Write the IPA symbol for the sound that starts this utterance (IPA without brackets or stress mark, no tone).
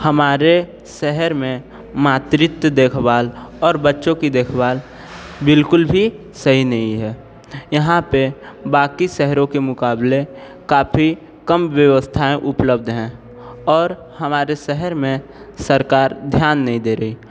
h